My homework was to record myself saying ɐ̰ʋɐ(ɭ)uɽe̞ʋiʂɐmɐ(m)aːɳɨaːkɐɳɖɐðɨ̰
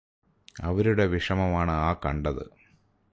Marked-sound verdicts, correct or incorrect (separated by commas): incorrect, correct